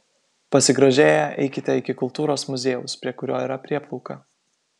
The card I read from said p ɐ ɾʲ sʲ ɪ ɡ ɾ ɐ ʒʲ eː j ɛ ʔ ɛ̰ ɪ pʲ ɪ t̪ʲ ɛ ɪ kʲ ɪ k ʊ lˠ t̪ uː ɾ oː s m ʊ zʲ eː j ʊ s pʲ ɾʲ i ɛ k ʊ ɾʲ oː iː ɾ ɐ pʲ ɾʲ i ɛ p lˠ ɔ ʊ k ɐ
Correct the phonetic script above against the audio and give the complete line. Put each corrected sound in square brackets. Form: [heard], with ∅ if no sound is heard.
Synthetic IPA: p ɐ [∅] sʲ ɪ ɡ ɾ ɐ ʒʲ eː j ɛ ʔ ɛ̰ ɪ [kʲ] ɪ t̪ʲ ɛ ɪ kʲ ɪ k ʊ lˠ t̪ uː ɾ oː s m ʊ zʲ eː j ʊ s pʲ ɾʲ i ɛ k ʊ ɾʲ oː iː ɾ ɐ pʲ ɾʲ i ɛ p lˠ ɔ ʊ k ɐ